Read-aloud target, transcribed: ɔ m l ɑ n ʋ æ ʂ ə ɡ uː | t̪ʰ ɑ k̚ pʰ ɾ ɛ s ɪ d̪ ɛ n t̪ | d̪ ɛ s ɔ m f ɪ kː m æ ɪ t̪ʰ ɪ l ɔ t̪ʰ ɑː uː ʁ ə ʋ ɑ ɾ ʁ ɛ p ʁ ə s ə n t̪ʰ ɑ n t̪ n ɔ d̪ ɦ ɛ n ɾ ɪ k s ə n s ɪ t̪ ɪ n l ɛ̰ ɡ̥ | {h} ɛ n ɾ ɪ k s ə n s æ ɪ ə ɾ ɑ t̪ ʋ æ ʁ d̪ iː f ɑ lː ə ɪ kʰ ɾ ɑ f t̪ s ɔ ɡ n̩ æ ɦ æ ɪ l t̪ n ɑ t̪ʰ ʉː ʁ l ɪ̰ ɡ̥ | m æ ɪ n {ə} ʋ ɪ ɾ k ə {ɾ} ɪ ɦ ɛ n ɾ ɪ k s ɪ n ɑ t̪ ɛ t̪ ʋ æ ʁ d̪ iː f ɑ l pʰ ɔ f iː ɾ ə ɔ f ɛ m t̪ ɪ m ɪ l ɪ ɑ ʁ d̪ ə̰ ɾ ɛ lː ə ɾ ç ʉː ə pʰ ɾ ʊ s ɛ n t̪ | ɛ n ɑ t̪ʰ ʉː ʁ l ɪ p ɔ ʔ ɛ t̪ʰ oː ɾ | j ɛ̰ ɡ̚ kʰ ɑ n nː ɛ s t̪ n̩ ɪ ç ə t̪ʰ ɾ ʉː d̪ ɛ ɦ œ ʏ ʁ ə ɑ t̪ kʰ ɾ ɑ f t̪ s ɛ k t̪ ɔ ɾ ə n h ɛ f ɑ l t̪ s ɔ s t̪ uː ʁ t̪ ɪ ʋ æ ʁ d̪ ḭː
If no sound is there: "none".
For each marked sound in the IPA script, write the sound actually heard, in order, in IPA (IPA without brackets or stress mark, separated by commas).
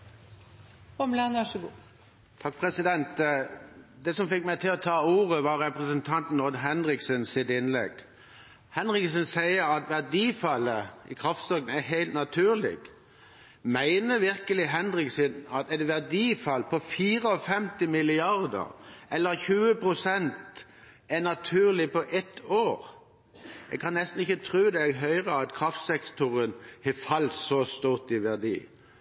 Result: h, ə, l